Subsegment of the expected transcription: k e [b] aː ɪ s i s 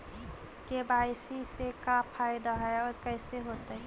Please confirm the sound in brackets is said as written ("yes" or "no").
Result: yes